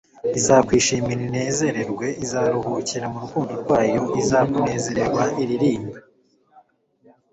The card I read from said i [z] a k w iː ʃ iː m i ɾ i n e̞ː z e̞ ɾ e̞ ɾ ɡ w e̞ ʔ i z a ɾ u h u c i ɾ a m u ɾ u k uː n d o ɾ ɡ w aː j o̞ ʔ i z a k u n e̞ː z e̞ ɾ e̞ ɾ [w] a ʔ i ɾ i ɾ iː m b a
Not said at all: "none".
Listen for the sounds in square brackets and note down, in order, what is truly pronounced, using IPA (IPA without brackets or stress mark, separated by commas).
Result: z, w